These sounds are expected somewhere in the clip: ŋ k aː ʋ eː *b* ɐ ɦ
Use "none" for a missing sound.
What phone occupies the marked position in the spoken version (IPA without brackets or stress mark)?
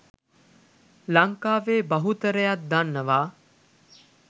b